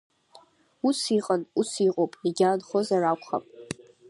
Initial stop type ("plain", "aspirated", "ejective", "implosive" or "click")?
ejective